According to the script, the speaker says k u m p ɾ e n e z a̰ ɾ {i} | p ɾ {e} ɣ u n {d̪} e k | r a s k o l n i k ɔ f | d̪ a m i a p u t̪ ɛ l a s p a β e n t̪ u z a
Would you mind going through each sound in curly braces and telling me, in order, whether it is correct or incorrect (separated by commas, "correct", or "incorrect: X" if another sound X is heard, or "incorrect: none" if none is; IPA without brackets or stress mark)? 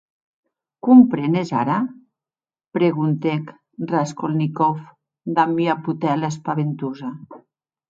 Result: incorrect: a, correct, incorrect: t̪